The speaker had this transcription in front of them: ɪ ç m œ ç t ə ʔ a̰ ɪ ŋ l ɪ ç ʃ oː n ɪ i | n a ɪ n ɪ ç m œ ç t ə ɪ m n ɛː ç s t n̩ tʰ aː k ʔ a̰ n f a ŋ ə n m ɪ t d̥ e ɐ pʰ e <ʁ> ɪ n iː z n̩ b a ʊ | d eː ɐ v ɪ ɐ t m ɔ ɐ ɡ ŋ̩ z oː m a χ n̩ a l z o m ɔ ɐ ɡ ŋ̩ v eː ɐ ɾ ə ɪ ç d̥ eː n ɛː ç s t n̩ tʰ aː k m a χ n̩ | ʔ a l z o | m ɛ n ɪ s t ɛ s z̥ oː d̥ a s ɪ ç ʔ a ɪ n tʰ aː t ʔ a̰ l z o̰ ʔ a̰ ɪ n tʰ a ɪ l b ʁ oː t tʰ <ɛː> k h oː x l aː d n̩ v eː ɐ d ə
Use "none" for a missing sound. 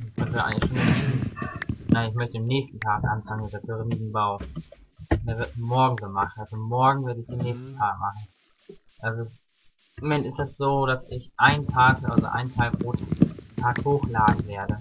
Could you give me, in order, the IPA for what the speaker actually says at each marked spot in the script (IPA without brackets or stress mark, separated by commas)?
ʁ, aː